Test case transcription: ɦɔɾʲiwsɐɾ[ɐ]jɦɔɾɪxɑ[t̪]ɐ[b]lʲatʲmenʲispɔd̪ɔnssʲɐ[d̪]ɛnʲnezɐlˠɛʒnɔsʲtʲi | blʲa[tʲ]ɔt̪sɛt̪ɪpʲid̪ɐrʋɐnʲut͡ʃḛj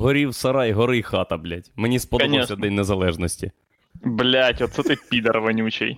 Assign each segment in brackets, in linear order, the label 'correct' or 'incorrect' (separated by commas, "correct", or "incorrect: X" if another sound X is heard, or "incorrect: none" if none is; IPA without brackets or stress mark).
incorrect: ɑ, correct, correct, correct, correct